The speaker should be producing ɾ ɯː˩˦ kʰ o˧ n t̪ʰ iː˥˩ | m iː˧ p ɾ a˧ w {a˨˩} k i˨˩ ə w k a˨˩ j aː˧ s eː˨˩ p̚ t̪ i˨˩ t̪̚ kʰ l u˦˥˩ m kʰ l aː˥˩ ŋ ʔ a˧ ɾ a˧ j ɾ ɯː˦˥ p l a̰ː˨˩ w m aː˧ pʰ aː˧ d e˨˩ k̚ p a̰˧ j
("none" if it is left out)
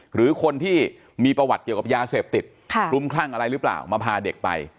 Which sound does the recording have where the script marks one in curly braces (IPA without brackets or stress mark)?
a˨˩